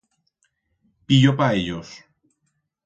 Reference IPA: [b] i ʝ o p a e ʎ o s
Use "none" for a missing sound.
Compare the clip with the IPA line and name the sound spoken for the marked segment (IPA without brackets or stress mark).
p